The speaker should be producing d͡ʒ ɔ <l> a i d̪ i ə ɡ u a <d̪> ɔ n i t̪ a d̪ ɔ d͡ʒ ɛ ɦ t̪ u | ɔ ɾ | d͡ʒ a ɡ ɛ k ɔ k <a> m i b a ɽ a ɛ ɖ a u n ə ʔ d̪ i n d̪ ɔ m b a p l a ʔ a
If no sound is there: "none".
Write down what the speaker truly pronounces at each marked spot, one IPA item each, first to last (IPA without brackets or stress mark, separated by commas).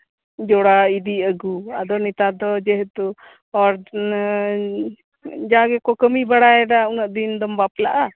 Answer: ɽ, d̪, ə